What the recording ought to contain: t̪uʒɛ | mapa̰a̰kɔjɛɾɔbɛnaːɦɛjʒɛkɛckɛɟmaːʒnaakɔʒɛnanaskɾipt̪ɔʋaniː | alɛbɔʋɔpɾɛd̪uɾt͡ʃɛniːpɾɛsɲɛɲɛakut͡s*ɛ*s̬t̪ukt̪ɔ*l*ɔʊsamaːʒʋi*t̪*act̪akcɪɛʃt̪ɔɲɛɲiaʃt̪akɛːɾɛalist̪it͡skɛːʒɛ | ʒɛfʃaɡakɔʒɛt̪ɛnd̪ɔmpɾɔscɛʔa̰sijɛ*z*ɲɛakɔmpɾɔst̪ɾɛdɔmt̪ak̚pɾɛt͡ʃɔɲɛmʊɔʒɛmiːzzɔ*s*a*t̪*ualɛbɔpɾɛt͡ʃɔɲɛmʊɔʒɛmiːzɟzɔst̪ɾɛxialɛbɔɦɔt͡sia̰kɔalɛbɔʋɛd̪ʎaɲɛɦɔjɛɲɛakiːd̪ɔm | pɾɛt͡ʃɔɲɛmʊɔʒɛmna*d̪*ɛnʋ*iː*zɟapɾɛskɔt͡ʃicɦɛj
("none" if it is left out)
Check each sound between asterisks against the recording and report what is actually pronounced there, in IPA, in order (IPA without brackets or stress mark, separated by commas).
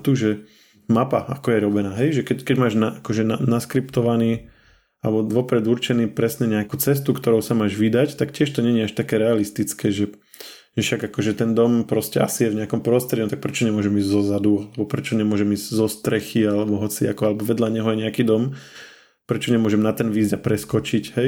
ɛ, ɾ, d̪, v, z, d̪, t̪, iː